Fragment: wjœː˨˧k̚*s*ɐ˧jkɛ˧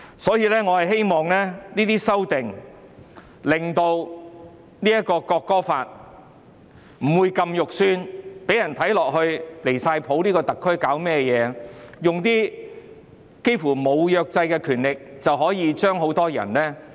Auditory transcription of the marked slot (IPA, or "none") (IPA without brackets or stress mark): t͡s